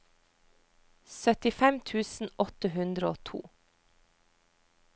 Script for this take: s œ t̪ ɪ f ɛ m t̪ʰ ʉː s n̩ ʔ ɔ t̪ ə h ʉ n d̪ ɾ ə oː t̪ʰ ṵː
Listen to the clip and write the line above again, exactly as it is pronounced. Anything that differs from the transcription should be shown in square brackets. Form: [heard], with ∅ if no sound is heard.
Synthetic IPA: s œ t̪ ɪ f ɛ m t̪ʰ ʉː s n̩ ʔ ɔ t̪ ə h ʉ n d̪ ɾ ə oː t̪ʰ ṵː